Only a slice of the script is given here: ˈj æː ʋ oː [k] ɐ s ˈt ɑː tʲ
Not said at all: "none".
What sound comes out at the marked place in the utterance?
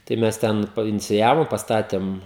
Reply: p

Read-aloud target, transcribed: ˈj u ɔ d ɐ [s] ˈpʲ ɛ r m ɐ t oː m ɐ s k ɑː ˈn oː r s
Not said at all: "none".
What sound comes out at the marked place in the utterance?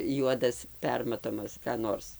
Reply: s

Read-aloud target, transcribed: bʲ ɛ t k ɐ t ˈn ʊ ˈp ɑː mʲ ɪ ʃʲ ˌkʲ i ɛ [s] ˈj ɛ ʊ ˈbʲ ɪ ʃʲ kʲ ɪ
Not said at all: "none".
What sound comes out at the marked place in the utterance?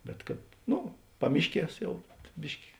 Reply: s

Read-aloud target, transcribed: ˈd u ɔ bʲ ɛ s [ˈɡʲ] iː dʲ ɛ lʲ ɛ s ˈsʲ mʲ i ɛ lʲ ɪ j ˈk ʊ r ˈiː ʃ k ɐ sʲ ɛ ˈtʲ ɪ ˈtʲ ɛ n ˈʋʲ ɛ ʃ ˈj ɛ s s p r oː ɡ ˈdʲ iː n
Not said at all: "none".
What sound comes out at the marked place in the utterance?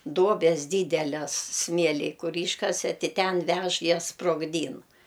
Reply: dʲ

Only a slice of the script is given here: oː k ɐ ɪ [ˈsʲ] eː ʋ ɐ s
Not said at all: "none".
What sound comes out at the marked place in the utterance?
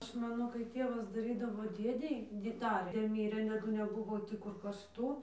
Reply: tʲ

